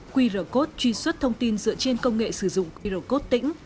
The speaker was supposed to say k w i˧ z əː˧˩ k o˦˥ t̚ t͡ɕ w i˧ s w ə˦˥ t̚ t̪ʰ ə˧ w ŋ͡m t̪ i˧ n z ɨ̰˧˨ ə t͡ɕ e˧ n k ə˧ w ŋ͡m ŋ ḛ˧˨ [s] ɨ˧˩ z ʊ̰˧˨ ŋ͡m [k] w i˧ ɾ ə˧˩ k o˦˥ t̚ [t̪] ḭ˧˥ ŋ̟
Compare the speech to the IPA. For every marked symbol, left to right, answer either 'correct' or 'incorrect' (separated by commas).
correct, correct, correct